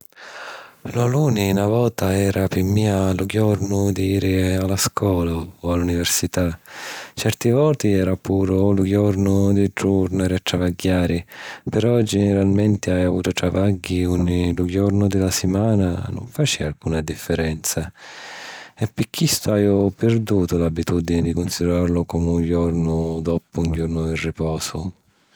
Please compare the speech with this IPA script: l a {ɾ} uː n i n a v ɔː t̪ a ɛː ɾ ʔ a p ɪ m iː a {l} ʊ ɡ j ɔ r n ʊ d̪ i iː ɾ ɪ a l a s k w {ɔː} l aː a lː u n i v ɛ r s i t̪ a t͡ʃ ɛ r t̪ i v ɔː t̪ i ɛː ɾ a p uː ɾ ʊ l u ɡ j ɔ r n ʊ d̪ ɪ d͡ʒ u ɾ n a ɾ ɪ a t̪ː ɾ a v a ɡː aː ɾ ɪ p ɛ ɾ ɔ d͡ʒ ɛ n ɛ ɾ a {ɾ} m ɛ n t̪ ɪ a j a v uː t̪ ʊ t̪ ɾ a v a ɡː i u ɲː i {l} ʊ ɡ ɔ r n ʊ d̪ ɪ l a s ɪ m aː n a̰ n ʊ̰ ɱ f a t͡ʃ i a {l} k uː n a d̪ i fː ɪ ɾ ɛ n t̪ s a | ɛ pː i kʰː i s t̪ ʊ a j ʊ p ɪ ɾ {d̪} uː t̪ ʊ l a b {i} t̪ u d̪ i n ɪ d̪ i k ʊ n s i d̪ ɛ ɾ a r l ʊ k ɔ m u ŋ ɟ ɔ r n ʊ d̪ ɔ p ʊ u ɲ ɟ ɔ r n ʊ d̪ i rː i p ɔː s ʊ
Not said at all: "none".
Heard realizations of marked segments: l, l, ɔː, l, l, l, d̪, i

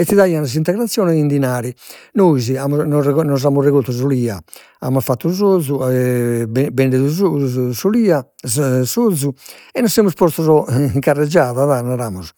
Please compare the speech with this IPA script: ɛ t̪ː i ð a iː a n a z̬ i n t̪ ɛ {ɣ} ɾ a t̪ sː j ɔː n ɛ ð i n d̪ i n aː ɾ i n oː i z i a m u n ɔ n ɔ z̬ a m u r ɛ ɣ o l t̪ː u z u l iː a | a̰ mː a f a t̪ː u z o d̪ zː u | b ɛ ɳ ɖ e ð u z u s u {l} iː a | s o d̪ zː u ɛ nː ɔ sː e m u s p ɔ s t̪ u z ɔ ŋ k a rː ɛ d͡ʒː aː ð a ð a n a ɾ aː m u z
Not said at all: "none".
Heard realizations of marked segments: ɣ, l

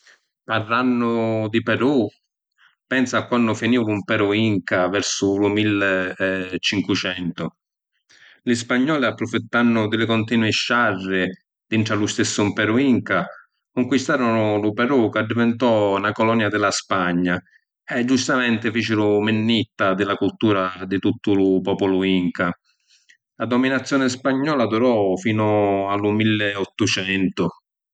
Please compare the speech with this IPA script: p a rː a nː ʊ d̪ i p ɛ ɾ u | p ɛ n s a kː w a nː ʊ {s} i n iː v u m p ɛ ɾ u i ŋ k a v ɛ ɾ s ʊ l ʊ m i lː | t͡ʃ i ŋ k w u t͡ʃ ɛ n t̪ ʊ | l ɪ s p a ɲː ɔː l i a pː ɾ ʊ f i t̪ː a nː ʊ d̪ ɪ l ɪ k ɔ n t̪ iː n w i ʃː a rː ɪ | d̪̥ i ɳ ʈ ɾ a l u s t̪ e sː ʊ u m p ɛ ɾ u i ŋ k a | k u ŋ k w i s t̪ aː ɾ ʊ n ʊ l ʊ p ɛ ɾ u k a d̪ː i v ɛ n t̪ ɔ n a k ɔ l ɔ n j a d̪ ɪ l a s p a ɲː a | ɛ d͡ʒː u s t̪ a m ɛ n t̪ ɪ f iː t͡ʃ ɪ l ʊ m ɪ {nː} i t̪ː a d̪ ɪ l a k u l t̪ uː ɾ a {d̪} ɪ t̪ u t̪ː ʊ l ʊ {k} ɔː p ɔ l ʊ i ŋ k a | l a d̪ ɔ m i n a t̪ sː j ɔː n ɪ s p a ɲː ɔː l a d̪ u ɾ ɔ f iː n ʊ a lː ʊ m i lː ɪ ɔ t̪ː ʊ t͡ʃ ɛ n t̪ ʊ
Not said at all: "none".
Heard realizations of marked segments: f, nː, d̪, p

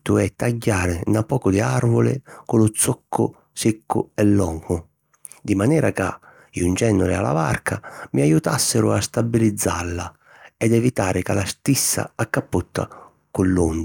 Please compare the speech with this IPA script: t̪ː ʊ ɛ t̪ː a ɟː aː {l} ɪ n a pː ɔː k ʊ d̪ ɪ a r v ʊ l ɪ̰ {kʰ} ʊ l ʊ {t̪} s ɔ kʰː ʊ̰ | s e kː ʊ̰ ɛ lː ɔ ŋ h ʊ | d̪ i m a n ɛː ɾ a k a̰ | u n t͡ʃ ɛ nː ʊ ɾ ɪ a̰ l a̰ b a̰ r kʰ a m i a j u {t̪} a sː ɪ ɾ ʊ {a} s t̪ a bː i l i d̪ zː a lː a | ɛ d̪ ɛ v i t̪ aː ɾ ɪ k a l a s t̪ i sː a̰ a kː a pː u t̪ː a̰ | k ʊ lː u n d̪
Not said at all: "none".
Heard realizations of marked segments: ɾ, k, t̪, t̪, a

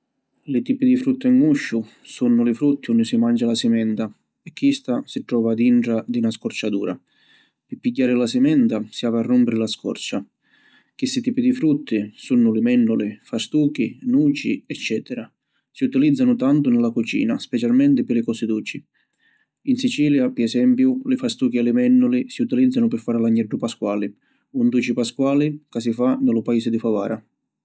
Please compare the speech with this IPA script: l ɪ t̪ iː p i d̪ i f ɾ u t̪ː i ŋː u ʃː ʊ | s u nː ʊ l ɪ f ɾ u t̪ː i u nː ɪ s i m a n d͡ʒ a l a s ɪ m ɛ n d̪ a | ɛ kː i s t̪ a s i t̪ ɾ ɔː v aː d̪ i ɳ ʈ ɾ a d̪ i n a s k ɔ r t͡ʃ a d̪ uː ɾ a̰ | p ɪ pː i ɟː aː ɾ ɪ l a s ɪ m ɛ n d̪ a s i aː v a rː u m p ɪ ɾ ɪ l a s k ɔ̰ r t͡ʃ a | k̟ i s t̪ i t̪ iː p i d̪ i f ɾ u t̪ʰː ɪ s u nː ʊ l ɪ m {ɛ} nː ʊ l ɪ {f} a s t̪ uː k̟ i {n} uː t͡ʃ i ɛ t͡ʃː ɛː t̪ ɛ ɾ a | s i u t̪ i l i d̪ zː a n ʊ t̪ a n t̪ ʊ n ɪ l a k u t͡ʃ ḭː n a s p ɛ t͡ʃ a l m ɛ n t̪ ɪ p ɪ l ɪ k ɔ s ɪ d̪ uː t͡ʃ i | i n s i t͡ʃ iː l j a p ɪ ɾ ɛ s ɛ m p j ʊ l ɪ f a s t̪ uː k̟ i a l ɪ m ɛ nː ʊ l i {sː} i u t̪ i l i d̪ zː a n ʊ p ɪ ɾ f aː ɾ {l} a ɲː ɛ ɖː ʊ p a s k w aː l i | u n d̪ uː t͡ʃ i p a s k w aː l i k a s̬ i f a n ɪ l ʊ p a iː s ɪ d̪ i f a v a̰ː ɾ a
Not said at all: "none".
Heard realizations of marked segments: ɛ, f, n, s, l

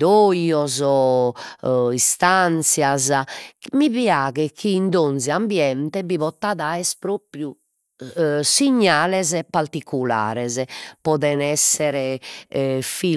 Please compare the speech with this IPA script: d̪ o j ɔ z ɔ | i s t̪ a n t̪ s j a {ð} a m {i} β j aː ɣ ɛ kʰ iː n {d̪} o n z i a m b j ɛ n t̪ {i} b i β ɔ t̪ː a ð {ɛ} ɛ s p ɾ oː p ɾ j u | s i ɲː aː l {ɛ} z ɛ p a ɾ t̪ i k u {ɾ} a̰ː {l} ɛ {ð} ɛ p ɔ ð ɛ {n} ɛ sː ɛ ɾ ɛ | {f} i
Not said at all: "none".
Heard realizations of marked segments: z, i, d̪, ɛ, a, ɛ, l, ɾ, z, n, f

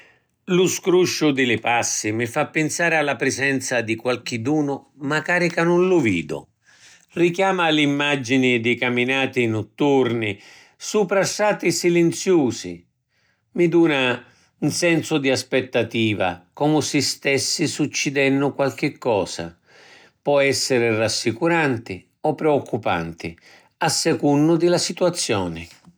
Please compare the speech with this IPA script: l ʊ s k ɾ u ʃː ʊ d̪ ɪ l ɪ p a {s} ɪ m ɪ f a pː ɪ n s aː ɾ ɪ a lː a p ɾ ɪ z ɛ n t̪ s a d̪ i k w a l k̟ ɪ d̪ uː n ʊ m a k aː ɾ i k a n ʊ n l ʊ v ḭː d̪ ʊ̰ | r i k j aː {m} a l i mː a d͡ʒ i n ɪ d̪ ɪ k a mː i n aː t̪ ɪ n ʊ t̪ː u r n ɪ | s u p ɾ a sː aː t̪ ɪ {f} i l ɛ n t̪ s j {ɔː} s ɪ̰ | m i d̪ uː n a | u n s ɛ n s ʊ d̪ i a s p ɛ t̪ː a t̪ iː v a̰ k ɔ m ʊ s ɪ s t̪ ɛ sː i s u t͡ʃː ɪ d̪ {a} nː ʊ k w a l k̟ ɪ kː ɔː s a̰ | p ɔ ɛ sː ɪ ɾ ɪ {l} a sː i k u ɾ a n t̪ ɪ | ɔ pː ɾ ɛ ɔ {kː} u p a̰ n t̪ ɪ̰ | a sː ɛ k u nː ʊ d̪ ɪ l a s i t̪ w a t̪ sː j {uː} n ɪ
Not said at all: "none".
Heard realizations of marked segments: sː, m, s, uː, ɛ, r, kː, ɔː

